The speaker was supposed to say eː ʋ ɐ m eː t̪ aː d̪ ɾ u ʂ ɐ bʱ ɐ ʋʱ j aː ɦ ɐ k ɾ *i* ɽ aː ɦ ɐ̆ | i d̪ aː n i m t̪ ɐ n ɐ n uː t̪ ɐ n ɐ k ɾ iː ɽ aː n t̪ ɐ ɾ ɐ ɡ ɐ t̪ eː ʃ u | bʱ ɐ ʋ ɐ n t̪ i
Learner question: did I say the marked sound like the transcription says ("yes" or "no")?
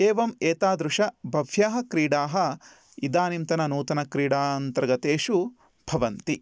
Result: no